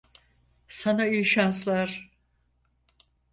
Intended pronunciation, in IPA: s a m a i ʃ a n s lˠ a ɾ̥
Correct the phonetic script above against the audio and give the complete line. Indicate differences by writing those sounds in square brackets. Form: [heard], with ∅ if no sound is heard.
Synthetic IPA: s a [n] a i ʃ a n s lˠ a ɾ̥